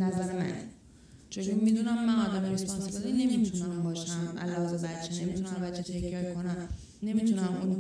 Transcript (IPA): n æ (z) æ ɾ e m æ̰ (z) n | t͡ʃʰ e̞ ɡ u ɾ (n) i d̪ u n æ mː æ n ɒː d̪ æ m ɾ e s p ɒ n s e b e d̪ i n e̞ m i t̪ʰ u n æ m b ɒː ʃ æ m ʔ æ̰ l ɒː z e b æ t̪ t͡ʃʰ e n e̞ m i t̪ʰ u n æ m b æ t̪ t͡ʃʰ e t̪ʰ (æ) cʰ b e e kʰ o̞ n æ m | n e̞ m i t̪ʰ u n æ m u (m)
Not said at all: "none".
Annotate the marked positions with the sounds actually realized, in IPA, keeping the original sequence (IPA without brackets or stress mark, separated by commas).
z, none, m, e, n